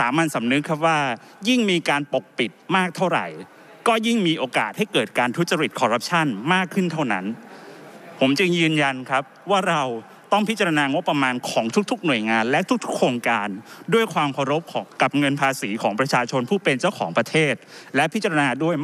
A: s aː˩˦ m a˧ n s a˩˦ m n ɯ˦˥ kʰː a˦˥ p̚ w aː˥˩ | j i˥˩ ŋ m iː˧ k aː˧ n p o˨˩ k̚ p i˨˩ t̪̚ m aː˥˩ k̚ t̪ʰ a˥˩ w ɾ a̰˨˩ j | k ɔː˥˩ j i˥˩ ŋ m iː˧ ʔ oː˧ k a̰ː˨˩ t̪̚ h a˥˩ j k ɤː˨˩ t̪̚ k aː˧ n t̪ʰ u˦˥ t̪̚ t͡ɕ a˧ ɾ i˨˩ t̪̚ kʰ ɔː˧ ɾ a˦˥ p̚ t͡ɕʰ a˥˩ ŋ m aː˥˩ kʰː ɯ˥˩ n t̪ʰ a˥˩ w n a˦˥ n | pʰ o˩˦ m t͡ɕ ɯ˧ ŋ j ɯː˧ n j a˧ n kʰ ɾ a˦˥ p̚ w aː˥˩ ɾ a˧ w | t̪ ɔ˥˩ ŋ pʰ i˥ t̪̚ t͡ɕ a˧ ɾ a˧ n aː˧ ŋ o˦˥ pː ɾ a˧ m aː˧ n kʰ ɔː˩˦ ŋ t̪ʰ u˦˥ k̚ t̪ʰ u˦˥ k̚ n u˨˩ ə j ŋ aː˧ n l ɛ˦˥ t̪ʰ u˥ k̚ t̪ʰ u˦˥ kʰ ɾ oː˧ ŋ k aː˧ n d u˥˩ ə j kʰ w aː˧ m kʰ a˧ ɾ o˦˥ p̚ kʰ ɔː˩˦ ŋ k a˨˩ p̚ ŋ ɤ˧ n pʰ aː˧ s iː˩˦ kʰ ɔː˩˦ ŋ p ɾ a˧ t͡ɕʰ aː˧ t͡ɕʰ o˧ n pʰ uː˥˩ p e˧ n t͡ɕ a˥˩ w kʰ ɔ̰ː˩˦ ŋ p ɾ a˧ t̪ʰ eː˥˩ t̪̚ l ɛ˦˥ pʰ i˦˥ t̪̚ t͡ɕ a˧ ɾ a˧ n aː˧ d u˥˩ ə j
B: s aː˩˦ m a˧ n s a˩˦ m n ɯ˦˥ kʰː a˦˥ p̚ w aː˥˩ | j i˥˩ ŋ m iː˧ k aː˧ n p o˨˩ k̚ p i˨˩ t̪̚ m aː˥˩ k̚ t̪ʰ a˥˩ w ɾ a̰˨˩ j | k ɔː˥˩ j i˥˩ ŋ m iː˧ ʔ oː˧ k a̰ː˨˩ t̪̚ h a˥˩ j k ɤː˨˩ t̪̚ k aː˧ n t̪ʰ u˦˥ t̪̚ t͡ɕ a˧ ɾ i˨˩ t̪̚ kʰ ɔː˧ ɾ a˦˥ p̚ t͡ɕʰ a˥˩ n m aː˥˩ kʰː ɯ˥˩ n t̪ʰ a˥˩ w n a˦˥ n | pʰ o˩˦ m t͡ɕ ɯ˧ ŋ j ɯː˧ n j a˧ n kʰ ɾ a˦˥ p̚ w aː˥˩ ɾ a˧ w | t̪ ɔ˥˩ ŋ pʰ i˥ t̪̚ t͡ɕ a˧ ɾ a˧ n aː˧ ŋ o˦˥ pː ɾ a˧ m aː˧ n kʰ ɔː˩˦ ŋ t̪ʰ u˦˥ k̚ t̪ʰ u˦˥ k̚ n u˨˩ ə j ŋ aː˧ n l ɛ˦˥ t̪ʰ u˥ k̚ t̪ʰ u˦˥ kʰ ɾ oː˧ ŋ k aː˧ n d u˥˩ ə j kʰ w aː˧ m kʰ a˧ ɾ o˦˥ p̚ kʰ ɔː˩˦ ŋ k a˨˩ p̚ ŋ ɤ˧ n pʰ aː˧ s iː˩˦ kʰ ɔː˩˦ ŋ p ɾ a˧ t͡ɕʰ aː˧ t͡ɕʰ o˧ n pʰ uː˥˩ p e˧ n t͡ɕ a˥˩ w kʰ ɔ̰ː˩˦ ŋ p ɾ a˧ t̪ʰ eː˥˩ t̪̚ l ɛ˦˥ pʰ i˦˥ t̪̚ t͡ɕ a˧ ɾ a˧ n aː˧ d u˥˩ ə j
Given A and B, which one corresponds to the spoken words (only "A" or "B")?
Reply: B